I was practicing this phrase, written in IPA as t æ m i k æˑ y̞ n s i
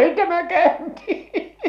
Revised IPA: t æ m æ k æˑ y̞ n t i